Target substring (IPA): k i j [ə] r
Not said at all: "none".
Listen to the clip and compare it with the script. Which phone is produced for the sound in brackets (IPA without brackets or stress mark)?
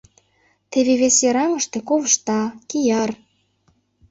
ɑ